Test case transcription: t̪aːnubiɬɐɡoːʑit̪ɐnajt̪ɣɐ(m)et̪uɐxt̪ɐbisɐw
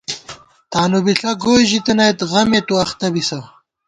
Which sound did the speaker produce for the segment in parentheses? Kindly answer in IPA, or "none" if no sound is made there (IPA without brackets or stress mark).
m